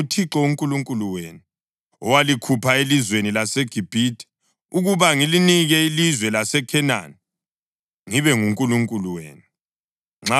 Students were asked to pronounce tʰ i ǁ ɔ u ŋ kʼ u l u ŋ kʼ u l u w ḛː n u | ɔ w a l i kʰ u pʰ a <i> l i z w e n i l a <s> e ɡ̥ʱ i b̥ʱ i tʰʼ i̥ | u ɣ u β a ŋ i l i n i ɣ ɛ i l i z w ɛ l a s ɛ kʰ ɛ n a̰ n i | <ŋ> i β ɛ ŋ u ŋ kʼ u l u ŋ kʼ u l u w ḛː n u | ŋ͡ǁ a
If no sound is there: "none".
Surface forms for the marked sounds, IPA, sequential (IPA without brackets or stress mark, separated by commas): e, s, ŋ